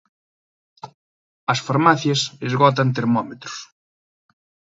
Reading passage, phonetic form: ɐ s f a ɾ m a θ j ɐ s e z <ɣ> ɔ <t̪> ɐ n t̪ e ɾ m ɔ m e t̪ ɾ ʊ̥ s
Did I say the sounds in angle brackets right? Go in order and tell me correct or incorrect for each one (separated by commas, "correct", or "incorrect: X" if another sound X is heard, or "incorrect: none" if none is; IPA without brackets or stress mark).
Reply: correct, correct